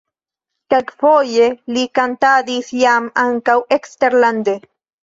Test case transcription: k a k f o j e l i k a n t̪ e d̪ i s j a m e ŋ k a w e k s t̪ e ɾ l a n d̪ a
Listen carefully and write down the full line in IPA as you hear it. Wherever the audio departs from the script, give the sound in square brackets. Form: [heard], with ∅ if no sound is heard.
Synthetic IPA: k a k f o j e l i k a n t̪ [a] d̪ i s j a m [a] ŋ k a w e k s t̪ e ɾ l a n d̪ [e]

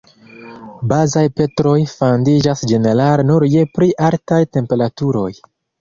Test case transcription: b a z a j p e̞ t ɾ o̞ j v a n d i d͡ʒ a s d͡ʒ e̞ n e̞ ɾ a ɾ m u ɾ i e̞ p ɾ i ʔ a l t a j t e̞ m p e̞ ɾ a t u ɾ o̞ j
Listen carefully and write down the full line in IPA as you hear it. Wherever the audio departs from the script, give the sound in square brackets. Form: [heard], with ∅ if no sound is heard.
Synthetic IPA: b a z a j p e̞ t ɾ o̞ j [f] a n d i d͡ʒ a s d͡ʒ e̞ n e̞ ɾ a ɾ [n] u ɾ [j] e̞ p ɾ i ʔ a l t a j t e̞ m p e̞ ɾ a t u ɾ o̞ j

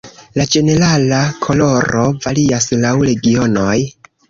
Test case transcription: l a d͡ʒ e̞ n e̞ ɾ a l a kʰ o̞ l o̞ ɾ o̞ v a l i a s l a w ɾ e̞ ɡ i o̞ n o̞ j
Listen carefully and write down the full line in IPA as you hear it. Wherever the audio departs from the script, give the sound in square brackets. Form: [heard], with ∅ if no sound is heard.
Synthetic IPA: l a d͡ʒ e̞ n e̞ ɾ a l a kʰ o̞ l o̞ ɾ o̞ v a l i a s l a w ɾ e̞ ɡ i o̞ n o̞ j

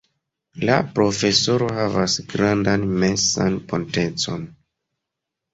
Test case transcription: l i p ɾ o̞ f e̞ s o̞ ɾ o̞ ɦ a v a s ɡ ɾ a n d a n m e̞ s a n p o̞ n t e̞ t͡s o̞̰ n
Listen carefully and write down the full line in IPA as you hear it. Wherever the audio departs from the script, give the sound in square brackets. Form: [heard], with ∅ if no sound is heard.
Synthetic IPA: l [a] p ɾ o̞ f e̞ s o̞ ɾ o̞ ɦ a v a s ɡ ɾ a n d a n m e̞ s a n p o̞ n t e̞ t͡s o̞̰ n

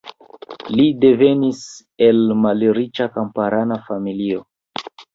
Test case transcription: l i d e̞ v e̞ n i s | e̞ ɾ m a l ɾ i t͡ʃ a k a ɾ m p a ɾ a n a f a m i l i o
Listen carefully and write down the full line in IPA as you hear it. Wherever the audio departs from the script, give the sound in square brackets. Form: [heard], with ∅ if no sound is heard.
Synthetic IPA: l i d e̞ v e̞ n i s | e̞ [l] m a l ɾ i t͡ʃ a k a [∅] m p a ɾ a n a f a m i l i o

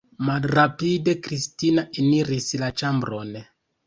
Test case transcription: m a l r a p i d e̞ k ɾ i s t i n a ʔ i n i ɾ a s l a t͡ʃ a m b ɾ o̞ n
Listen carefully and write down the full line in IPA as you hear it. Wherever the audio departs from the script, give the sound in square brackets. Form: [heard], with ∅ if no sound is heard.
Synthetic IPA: m a l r a p i d e̞ k ɾ i s t i n a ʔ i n i ɾ [i] s l a t͡ʃ a m b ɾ o̞ n

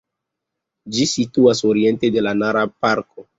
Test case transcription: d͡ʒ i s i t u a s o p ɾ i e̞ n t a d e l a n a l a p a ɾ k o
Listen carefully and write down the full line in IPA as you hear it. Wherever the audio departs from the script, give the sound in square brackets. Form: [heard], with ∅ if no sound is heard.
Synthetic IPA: d͡ʒ i s i t u a s o [∅] ɾ i e̞ n t [e] d e l a n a [ɾ] a p a ɾ k o

